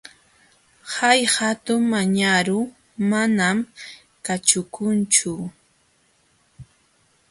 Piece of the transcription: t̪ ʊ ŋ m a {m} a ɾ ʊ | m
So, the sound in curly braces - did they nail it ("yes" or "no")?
no